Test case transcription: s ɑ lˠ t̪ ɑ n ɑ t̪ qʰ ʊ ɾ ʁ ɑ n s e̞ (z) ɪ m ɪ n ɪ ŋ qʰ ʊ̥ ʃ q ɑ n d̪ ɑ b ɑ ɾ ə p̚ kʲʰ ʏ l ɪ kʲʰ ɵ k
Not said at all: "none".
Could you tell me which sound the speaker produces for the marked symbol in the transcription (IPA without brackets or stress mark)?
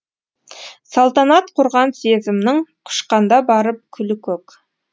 z